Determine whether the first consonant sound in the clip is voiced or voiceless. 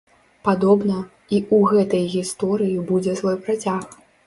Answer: voiceless